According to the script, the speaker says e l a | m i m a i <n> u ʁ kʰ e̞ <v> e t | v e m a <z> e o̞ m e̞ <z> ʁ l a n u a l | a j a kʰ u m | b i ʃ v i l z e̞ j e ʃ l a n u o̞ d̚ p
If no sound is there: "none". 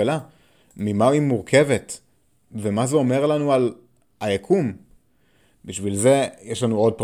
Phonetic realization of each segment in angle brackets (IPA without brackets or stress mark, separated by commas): m, v, z, none